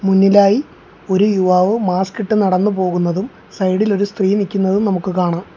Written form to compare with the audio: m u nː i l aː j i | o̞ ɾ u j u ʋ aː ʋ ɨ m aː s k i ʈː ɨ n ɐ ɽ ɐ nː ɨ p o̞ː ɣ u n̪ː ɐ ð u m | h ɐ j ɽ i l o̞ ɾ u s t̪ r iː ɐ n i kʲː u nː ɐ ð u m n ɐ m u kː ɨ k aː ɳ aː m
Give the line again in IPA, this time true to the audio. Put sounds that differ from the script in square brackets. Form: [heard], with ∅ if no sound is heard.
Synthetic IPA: m u nː i l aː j i | o̞ ɾ u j u ʋ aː ʋ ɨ m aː s k i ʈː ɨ n ɐ ɽ ɐ nː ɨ p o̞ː ɣ u n̪ː ɐ ð u m | [s] ɐ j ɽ i l o̞ ɾ u s t̪ r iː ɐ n i kʲː u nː ɐ ð u m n ɐ m u kː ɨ k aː ɳ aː m